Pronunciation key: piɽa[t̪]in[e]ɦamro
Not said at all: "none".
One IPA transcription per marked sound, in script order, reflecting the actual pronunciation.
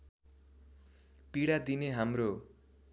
d̪, e

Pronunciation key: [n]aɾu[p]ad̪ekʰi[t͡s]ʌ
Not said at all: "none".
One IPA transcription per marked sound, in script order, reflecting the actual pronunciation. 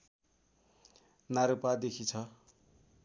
n, p, t͡sʰ

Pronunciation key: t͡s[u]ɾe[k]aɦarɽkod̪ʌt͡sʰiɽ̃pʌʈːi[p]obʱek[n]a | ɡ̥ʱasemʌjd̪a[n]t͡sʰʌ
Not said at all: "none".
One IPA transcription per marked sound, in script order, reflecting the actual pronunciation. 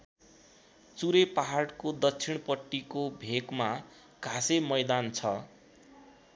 u, p, k, m, n

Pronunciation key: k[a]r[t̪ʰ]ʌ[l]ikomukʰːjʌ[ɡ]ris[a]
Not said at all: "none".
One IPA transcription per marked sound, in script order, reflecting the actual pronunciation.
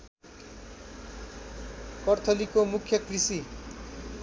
ʌ, t̪ʰ, l, k, i

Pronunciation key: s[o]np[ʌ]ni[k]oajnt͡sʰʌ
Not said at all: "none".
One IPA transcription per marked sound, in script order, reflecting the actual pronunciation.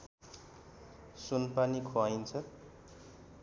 u, a, kʰ

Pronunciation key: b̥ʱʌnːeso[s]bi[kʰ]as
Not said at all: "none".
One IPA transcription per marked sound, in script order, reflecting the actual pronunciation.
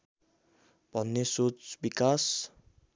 t͡s, k

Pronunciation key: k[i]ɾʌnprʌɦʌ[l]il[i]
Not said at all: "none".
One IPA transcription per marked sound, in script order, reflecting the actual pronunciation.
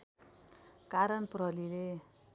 a, l, e

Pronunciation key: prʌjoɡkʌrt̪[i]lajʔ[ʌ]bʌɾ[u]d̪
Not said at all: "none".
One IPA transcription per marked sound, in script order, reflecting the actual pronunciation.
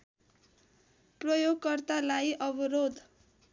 a, ʌ, o

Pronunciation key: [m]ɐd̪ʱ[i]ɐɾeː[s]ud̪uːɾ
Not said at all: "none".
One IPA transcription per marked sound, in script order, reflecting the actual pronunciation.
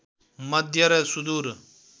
m, j, s

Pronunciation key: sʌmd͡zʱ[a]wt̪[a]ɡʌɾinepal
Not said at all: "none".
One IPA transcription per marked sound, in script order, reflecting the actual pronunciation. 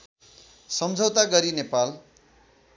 ʌ, a

